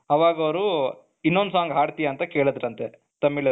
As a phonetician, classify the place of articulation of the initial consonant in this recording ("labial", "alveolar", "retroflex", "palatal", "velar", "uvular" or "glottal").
labial